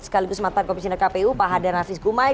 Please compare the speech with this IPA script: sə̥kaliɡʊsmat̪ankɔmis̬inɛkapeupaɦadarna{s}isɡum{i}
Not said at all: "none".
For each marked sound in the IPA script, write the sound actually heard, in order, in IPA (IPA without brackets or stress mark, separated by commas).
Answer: f, a